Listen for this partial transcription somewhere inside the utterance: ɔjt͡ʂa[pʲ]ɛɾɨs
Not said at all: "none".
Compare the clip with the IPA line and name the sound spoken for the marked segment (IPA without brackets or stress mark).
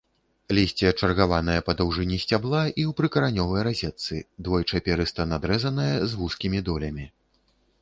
pʲ